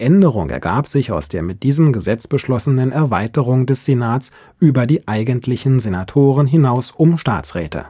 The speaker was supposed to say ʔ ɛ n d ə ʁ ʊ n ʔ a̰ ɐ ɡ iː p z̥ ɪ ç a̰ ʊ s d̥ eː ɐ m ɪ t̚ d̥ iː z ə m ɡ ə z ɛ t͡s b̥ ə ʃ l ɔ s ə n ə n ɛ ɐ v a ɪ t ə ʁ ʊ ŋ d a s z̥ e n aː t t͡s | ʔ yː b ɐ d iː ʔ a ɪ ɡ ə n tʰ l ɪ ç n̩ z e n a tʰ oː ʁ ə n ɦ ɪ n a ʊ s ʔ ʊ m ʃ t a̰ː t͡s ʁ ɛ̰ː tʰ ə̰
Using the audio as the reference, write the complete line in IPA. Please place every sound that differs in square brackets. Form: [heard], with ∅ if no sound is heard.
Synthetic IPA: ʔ ɛ n d ə ʁ ʊ [ŋ] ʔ [ɛ̰] ɐ ɡ [aː] p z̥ ɪ ç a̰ ʊ s d̥ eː ɐ m ɪ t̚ d̥ iː z ə m ɡ ə z ɛ t͡s b̥ ə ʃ l ɔ s ə n ə n ɛ ɐ v a ɪ t ə ʁ ʊ ŋ d [ɛ] s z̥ e n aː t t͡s | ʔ yː b ɐ d iː ʔ a ɪ ɡ ə n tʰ l ɪ ç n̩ z e n a tʰ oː ʁ ə n ɦ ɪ n a ʊ s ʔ ʊ m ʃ t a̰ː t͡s ʁ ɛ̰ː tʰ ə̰